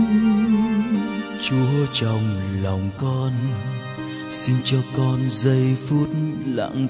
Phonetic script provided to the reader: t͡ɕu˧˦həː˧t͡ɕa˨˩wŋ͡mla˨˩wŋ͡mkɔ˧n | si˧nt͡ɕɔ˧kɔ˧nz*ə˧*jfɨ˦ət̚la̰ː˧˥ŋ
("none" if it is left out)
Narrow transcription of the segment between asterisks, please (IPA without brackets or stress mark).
ə˧